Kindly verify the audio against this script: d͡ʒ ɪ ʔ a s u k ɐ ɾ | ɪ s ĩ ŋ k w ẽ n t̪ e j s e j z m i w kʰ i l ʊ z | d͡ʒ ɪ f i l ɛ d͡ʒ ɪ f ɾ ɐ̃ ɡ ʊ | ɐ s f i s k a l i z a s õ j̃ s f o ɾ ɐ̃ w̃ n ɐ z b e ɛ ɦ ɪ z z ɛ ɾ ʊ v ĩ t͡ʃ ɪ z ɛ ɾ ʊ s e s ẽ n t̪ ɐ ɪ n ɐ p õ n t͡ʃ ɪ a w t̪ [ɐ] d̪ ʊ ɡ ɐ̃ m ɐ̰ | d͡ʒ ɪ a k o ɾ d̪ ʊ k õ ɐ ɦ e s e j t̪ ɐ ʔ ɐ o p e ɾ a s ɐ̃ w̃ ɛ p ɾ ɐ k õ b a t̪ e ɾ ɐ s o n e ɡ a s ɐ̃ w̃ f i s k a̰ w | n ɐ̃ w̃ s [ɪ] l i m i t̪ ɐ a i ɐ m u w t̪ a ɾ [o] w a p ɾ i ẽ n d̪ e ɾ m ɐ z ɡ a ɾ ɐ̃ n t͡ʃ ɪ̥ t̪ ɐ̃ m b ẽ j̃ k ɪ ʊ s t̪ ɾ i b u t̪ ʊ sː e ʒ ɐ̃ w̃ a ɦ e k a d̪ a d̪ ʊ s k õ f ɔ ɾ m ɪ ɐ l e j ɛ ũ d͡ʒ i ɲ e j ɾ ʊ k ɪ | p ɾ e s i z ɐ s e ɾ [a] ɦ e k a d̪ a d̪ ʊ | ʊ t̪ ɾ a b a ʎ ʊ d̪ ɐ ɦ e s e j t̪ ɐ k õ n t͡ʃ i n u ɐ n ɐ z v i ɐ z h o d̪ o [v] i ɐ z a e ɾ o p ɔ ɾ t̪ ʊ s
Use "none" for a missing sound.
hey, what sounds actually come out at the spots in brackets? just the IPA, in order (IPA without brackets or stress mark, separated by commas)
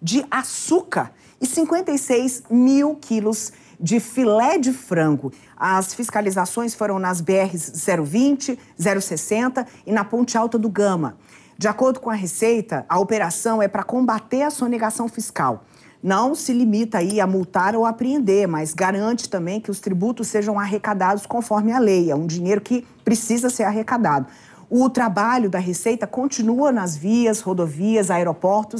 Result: ɐ, ɪ, o, a, v